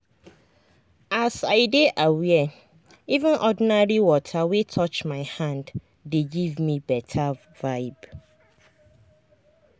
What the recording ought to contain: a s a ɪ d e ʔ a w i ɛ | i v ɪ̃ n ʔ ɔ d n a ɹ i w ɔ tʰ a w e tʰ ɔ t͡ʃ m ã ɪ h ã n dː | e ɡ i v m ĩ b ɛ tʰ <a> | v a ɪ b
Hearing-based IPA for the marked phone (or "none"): a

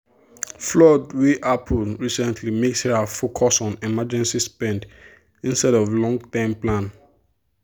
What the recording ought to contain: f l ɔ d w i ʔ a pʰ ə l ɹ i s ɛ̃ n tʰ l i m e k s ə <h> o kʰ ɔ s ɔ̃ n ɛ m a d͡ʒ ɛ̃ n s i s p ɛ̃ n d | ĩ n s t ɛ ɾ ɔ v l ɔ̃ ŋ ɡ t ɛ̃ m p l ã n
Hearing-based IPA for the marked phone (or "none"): f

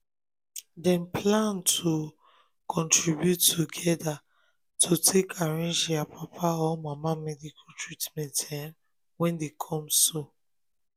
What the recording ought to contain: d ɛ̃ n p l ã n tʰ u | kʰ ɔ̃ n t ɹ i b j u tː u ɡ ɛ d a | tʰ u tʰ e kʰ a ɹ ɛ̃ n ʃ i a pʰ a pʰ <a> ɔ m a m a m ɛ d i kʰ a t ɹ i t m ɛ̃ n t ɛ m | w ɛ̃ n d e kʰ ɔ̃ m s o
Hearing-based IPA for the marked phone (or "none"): a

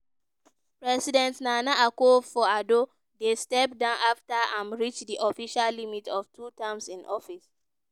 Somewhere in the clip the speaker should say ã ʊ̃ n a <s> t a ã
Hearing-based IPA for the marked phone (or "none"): f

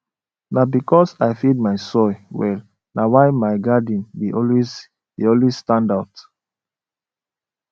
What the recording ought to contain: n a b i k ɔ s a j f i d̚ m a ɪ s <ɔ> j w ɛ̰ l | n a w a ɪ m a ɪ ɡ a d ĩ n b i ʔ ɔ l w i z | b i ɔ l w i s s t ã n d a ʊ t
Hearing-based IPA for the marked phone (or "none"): ɔ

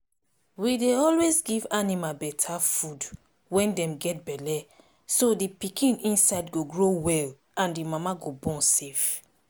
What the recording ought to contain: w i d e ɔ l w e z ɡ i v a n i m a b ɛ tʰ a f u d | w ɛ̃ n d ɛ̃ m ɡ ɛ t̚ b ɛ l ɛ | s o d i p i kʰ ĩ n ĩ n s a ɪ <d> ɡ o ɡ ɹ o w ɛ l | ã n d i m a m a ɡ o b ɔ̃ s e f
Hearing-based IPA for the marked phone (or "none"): d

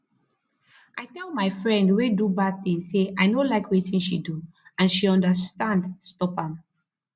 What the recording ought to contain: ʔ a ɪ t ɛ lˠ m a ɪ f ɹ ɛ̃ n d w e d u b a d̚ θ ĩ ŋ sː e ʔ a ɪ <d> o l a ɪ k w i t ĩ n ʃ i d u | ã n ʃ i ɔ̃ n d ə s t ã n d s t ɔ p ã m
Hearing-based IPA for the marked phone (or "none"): n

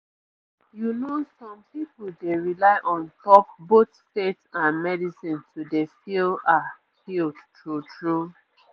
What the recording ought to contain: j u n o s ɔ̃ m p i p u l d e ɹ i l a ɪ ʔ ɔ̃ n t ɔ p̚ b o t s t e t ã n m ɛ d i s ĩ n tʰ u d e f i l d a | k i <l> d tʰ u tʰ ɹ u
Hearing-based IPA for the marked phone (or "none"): l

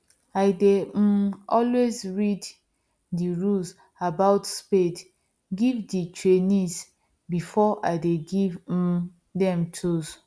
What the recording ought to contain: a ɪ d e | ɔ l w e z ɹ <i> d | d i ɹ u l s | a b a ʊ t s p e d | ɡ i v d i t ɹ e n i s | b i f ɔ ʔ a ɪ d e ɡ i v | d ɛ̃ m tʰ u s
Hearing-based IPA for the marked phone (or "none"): i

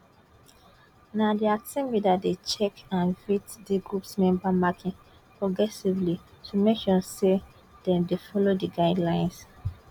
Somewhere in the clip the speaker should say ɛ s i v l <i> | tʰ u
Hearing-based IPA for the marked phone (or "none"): i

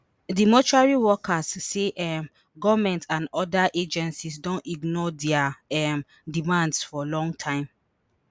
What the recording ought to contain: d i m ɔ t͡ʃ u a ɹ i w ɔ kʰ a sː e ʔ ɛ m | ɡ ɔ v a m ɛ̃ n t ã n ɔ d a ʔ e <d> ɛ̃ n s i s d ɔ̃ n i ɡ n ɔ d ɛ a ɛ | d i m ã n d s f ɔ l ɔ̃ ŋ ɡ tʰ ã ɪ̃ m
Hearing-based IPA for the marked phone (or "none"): d͡ʒ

